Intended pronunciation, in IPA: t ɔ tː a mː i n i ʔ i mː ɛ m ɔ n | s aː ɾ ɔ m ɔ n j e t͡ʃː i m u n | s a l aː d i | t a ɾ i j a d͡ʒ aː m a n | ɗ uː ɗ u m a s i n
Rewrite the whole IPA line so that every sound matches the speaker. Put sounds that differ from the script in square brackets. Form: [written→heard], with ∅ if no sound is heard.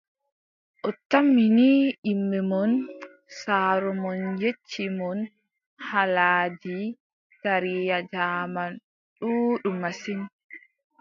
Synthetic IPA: [t→ʔ] ɔ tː a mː i n i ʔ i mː ɛ m ɔ n | s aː ɾ ɔ m ɔ n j e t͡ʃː i m [u→ɔ] n | [s→h] a l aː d i | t a ɾ i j a d͡ʒ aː m a n | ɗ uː ɗ u m a s i n